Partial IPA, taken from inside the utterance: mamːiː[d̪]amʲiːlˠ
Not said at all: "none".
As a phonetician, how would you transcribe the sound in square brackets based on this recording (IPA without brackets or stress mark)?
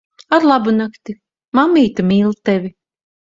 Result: t̪